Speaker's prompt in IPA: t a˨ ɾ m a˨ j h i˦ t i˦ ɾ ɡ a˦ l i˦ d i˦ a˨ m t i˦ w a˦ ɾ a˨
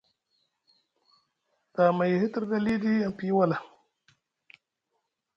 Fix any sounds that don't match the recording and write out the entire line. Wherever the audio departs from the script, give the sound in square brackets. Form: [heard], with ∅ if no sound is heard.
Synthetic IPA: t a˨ [∅] m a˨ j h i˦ t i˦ ɾ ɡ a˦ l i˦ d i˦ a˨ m [p] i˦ w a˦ [l] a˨